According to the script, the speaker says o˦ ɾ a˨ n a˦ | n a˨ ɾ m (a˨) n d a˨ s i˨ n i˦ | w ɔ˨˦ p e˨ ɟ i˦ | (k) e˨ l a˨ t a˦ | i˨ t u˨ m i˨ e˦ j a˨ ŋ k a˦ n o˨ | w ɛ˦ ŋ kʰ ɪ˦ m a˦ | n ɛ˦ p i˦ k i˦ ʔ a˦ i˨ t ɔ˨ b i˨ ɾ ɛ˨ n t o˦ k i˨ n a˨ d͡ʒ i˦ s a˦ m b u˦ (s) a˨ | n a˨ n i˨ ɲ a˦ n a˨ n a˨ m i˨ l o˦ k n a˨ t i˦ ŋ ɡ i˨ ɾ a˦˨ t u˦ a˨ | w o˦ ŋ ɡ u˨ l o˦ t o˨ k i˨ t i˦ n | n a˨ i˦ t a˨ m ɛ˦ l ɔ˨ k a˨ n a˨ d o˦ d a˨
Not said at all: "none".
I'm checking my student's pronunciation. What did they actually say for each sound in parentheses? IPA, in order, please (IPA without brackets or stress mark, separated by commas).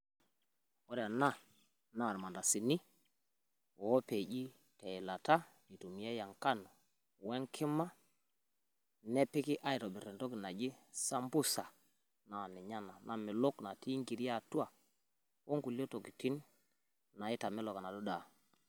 a˨, t, s